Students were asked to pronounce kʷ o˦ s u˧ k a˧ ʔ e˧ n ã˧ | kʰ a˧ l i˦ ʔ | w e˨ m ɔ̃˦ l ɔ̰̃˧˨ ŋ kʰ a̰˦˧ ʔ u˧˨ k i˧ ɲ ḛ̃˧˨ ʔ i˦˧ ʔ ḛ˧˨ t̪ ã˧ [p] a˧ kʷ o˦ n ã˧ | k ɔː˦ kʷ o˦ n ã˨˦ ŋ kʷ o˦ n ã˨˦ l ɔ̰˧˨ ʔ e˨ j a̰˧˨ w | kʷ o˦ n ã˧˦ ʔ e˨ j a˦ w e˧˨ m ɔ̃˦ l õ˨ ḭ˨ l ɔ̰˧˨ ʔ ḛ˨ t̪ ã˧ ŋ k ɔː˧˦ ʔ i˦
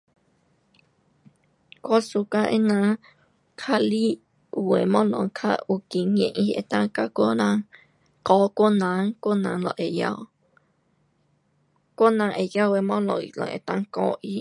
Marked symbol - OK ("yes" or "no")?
no